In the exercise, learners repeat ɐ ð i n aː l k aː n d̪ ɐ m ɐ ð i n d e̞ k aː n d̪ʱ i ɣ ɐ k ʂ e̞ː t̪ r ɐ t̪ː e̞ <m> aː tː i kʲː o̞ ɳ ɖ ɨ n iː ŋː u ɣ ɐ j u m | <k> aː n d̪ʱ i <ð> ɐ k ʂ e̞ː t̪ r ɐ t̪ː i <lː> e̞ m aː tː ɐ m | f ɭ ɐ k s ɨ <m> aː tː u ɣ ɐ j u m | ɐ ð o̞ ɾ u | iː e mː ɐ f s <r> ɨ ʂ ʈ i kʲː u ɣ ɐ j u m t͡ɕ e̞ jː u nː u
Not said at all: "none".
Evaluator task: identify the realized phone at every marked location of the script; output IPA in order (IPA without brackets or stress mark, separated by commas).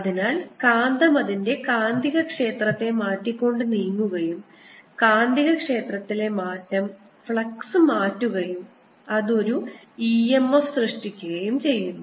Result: m, k, ɣ, l, m, r